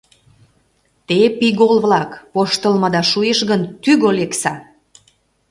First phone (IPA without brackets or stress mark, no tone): t̪